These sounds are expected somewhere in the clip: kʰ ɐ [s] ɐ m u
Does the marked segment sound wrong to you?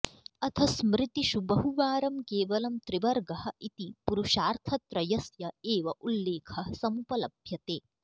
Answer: no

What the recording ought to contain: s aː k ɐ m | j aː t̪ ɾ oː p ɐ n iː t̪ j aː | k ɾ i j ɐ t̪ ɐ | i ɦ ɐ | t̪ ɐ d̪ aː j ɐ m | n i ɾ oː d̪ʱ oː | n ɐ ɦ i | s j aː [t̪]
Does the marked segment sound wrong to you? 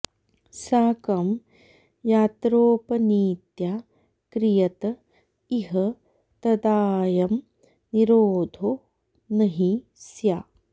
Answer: yes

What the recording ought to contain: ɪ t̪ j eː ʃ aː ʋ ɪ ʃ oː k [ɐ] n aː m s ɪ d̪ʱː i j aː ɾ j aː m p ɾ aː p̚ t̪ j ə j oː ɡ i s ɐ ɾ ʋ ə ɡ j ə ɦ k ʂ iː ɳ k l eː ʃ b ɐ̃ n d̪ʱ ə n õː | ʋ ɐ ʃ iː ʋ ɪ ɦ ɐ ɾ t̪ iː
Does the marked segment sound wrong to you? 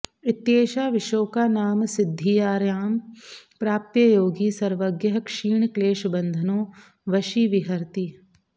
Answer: yes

